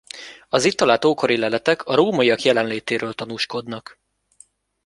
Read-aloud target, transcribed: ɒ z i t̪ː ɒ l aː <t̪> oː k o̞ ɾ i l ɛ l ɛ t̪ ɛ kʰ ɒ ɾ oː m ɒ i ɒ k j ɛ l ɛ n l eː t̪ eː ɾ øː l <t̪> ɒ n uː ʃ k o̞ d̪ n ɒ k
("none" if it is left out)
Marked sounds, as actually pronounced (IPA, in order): t̪, t̪

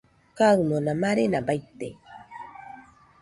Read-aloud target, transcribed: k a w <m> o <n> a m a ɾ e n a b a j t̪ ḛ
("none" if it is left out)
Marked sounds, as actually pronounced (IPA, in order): m, n

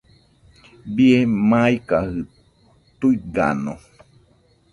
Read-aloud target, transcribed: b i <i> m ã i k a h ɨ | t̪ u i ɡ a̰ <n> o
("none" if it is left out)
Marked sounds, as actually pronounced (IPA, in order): e, n

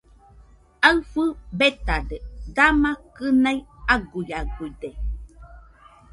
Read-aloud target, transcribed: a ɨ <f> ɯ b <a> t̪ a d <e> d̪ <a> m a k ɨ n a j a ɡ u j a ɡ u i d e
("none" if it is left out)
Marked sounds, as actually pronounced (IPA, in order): f, e, e, a

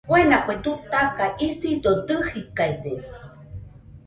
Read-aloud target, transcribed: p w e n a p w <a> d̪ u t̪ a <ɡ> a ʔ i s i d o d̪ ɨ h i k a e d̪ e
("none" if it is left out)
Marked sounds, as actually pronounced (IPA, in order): e, k

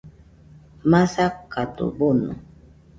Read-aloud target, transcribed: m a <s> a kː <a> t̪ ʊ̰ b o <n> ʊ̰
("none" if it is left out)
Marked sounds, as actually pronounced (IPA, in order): s, a, n

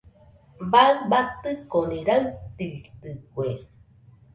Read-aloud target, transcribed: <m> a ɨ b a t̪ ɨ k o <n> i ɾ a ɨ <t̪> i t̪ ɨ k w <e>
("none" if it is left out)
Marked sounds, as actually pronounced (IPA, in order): b, n, t̪, e

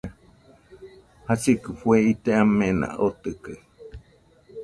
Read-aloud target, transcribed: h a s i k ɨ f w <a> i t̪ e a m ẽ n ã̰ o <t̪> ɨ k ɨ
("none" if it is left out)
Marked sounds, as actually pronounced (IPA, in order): e, t̪

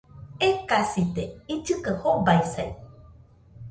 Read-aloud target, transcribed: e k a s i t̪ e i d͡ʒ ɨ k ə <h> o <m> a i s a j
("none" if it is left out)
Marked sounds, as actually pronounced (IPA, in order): h, b

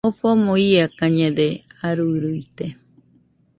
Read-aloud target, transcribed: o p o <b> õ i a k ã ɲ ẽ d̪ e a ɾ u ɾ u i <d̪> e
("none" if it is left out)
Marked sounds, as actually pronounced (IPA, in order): m, t̪

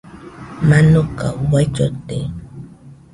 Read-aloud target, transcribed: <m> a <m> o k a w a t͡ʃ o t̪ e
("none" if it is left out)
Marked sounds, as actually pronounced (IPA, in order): m, n

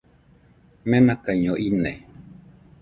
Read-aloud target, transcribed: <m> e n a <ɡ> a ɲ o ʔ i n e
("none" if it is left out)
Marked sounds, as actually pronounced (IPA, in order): m, k

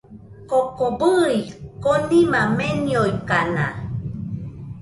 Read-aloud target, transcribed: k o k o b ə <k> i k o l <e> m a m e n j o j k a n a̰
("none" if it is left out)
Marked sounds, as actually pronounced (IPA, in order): none, i

